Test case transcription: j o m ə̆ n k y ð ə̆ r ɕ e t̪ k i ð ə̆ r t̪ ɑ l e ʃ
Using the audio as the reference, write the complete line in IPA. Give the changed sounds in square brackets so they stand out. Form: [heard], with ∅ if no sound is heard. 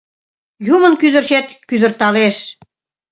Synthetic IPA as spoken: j [u] m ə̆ n k y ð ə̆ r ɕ e t̪ k [y] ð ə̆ r t̪ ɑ l e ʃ